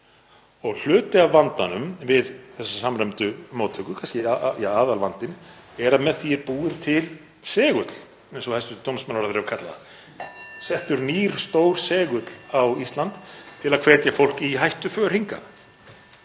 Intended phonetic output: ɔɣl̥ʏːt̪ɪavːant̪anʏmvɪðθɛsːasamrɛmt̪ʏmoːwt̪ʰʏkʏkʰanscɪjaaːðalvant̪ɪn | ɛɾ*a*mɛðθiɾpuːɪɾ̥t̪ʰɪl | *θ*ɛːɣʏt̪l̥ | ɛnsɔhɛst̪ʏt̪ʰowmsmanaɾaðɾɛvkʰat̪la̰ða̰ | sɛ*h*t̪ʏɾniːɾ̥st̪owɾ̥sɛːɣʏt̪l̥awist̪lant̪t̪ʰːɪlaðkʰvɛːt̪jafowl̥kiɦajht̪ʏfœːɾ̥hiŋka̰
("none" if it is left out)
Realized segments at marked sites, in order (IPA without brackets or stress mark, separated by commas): a, s, h